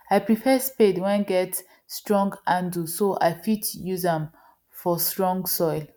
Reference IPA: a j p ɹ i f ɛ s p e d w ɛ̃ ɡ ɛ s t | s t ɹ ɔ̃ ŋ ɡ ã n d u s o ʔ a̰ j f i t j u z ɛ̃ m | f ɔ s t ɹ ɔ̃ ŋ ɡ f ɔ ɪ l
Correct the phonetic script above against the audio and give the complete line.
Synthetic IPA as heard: a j p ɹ i f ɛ s p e d w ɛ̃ ɡ ɛ t | s t ɹ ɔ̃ ŋ ɡ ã n d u s o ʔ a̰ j f i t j u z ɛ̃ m | f ɔ s t ɹ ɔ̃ ŋ ɡ s ɔ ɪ l